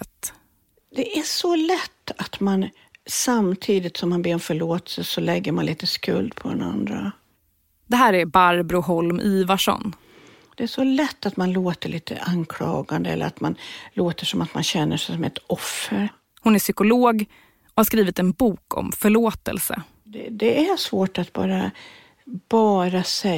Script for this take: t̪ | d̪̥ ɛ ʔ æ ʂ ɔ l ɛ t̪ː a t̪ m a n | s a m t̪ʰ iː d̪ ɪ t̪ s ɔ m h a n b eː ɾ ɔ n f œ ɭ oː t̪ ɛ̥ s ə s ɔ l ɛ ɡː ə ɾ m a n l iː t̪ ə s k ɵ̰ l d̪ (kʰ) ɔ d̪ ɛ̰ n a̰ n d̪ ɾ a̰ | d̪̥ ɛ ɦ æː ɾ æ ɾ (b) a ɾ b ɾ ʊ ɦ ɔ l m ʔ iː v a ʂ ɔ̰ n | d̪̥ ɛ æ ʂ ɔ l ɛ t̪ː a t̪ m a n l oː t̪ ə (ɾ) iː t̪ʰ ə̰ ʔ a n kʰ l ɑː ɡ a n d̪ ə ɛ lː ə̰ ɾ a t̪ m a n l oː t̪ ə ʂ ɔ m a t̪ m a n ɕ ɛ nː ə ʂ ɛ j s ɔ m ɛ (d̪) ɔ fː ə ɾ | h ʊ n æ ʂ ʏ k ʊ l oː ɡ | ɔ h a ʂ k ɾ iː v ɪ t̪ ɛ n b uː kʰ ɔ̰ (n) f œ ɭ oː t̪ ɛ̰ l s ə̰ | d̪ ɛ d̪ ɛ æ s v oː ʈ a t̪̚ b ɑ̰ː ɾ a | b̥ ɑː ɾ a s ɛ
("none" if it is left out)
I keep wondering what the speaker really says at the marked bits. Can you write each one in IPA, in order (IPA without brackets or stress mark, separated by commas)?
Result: pʰ, b, ɭ, t̪, m